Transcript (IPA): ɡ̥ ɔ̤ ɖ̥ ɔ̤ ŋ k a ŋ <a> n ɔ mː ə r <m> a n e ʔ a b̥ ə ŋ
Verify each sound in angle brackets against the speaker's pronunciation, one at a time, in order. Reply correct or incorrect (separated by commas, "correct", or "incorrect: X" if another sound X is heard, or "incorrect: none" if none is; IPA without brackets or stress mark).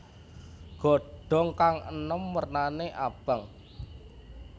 incorrect: ə, incorrect: n